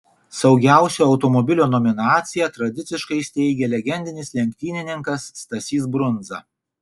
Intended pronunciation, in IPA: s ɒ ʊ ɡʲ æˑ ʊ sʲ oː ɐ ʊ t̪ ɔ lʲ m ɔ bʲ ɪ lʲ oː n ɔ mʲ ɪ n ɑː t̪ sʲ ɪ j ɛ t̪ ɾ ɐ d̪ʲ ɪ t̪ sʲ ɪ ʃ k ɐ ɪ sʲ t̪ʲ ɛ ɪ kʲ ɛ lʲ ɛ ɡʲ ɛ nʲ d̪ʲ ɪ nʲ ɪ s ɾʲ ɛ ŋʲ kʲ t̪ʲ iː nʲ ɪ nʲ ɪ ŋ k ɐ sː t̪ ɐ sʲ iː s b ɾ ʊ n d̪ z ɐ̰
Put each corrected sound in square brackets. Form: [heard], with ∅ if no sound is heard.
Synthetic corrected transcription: s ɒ ʊ ɡʲ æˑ ʊ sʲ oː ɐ ʊ t̪ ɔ [∅] m ɔ bʲ ɪ lʲ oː n ɔ mʲ ɪ n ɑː t̪ sʲ ɪ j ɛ t̪ ɾ ɐ d̪ʲ ɪ t̪ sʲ ɪ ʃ k ɐ ɪ sʲ t̪ʲ ɛ ɪ [ɡʲ] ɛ lʲ ɛ ɡʲ ɛ nʲ d̪ʲ ɪ nʲ ɪ s [lʲ] ɛ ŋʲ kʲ t̪ʲ iː nʲ ɪ nʲ ɪ ŋ k ɐ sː t̪ ɐ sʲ iː s b ɾ ʊ n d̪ z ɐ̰